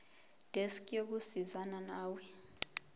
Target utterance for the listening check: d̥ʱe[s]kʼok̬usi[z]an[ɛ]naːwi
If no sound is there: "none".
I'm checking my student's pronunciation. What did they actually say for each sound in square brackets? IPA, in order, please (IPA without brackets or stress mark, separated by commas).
s, z, a